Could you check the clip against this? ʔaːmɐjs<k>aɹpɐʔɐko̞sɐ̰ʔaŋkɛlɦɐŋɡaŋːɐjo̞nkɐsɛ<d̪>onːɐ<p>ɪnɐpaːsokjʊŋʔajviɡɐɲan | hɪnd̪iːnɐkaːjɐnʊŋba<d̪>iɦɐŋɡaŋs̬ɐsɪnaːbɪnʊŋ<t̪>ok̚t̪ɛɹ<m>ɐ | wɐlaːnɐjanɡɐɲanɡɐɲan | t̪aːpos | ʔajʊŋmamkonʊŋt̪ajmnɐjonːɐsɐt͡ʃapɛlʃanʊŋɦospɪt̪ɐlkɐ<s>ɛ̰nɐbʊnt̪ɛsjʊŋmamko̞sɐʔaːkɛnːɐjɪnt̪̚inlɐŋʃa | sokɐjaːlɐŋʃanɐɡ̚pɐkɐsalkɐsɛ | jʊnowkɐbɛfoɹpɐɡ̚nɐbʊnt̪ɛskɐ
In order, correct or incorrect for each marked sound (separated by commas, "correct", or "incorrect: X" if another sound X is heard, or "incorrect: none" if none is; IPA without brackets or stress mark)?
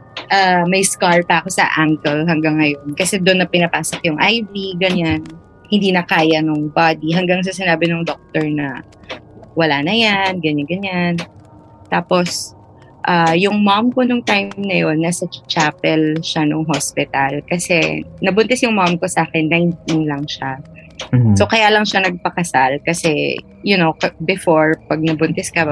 correct, correct, correct, correct, incorrect: d̪, incorrect: n, correct